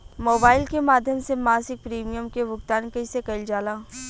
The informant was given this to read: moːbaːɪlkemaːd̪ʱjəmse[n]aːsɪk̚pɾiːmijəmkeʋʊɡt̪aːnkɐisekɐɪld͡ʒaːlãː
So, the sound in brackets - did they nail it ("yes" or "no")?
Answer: no